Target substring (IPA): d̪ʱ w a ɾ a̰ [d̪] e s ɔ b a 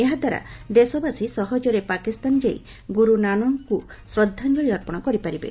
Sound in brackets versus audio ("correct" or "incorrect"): correct